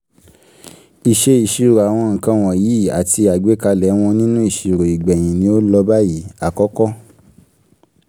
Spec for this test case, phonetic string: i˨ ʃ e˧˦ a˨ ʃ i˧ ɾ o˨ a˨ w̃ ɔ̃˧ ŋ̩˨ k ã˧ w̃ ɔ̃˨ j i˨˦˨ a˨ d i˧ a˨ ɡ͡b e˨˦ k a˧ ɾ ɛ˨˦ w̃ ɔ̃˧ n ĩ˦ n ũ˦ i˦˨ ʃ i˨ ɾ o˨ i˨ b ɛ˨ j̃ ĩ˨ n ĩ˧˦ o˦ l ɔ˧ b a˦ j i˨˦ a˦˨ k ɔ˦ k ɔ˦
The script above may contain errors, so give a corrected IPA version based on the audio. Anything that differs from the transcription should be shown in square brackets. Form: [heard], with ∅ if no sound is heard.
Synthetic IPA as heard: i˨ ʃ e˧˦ [i˨] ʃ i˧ ɾ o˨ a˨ w̃ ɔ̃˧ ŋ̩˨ k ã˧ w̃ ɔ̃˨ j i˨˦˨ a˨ [t] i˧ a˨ ɡ͡b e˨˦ k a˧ [l] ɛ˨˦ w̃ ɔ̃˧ n ĩ˦ n ũ˦ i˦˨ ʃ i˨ ɾ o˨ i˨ [ɡ͡b] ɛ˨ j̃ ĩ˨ n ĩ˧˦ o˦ l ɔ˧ b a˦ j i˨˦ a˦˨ k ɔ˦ k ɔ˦